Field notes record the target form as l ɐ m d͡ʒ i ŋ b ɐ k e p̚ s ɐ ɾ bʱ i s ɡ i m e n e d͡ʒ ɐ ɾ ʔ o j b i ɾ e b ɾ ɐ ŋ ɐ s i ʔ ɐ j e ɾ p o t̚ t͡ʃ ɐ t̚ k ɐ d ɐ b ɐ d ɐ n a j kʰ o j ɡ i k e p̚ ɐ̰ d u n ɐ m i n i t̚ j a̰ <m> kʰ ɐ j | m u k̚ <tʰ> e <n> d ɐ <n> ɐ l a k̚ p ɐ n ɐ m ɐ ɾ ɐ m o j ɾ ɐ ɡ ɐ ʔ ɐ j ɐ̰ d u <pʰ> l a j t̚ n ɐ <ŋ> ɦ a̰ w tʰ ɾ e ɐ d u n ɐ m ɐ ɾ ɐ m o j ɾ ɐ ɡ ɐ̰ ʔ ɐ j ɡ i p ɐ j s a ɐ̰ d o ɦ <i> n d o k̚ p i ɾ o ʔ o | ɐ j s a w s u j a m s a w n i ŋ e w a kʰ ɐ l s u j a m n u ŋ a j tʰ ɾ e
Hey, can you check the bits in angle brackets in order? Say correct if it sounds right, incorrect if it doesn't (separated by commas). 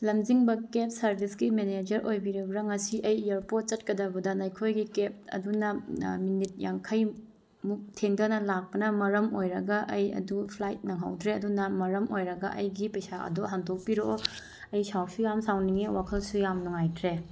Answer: incorrect, correct, incorrect, correct, correct, correct, incorrect